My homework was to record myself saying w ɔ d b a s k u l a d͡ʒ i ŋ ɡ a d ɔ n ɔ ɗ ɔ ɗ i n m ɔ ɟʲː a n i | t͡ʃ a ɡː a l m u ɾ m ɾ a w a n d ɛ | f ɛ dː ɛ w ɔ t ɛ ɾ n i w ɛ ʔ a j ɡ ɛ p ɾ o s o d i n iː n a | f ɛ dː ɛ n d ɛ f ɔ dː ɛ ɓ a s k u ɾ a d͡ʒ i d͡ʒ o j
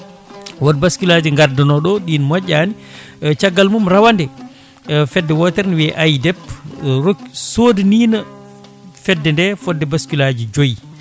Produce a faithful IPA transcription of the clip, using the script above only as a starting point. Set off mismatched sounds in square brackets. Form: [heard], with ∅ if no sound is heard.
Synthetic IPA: w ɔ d b a s k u l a d͡ʒ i ŋ ɡ a d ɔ n ɔ ɗ ɔ ɗ i n m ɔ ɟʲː a n i | t͡ʃ a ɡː a l m u [∅] m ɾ a w a n d ɛ | f ɛ dː ɛ w ɔ t ɛ ɾ n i w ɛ ʔ a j [d] ɛ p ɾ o s o d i n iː n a | f ɛ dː ɛ n d ɛ f ɔ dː ɛ [b] a s k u [l] a d͡ʒ i d͡ʒ o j